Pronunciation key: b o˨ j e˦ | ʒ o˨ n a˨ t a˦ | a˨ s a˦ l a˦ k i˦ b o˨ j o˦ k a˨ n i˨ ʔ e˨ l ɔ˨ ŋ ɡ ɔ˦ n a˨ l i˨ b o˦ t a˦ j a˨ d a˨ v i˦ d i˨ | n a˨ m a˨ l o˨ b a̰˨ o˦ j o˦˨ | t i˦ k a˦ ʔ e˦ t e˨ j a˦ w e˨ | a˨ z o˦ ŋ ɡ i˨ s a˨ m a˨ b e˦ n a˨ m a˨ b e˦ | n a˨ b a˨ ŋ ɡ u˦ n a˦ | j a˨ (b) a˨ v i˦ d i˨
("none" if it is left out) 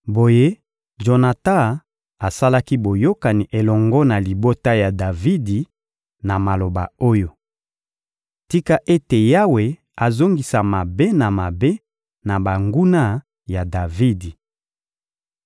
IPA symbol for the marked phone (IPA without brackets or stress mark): d